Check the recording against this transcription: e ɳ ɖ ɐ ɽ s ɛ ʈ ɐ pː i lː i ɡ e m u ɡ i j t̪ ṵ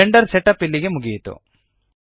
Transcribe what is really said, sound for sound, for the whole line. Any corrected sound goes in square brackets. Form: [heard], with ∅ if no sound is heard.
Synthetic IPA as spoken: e ɳ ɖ ɐ [ɾ] s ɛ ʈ ɐ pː i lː i ɡ e m u ɡ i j t̪ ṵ